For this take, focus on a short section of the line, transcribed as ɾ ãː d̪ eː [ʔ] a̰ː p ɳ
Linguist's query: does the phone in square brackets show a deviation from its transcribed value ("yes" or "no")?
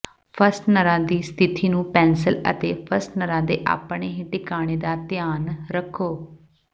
no